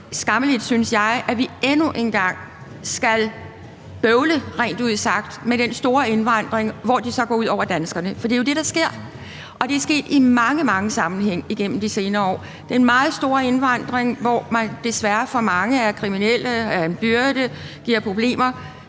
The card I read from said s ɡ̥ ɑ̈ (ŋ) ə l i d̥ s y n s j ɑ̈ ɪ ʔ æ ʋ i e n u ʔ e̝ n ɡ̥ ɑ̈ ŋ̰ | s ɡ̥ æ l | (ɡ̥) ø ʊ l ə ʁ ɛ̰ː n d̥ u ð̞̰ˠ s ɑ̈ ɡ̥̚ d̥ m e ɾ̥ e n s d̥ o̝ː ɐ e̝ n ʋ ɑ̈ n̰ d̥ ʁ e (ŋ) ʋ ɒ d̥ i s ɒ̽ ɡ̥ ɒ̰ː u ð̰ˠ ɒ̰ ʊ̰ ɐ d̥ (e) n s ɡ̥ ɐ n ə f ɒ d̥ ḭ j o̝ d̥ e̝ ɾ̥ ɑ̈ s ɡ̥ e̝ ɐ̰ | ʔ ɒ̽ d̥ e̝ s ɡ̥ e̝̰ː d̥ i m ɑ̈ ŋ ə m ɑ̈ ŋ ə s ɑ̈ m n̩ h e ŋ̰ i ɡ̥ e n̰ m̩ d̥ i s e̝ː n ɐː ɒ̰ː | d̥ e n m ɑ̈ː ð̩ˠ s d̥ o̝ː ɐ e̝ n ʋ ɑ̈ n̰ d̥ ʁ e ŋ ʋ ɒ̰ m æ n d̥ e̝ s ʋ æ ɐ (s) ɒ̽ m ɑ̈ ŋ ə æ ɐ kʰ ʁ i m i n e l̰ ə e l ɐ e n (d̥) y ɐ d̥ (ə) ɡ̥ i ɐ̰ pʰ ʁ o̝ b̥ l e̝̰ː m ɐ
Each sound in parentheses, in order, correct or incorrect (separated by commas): incorrect, incorrect, correct, incorrect, incorrect, incorrect, correct